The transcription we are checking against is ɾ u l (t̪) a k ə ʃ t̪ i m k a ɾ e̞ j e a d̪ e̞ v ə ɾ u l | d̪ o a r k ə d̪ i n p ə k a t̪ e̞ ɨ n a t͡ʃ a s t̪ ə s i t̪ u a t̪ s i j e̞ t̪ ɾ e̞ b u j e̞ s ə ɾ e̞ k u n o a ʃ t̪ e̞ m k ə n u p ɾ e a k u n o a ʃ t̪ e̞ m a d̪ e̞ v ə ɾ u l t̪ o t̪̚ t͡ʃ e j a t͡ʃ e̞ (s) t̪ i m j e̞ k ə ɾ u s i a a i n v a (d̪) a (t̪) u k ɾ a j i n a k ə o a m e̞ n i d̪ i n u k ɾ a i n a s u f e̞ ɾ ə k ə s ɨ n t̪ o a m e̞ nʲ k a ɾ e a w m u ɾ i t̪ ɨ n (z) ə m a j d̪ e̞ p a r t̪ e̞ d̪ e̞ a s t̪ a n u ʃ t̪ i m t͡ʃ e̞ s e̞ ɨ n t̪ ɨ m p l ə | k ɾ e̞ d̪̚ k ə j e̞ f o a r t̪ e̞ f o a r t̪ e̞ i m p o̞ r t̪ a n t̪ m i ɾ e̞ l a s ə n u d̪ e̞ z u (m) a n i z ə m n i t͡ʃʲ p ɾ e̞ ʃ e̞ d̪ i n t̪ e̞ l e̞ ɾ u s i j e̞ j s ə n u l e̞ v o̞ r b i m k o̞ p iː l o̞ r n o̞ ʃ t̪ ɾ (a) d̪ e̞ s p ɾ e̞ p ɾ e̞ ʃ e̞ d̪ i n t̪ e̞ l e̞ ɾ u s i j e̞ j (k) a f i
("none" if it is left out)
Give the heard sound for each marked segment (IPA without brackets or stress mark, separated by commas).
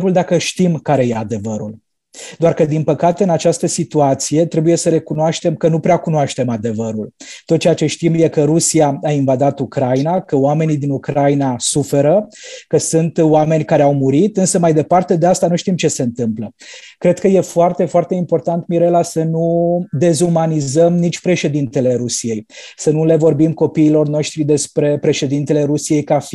d̪, ʃ, d̪, t̪, s, m, i, k